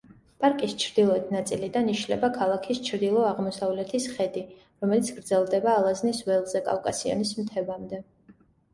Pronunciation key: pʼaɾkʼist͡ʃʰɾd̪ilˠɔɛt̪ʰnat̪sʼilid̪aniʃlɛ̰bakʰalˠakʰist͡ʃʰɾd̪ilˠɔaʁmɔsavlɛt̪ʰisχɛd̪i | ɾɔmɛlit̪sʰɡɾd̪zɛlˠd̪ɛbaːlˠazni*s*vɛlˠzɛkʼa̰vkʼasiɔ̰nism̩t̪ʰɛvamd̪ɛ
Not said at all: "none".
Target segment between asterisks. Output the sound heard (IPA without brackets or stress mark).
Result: s